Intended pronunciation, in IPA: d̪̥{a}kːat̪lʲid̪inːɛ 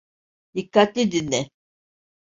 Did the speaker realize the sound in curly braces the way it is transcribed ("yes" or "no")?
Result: no